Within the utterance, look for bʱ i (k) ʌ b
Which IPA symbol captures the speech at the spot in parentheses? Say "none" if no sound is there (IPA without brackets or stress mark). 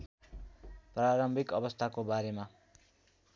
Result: k